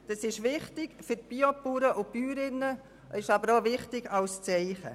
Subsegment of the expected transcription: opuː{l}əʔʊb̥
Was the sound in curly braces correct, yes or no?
no